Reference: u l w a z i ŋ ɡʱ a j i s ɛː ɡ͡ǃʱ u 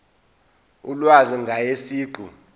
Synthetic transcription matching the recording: u l w a z i ŋ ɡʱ a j e s iː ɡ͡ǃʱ u